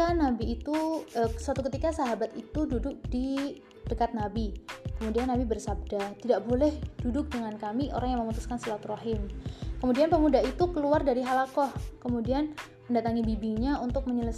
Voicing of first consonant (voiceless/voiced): voiced